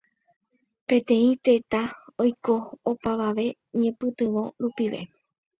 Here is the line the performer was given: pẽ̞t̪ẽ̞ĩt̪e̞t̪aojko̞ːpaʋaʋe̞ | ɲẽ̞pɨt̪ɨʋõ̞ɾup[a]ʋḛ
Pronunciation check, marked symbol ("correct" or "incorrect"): incorrect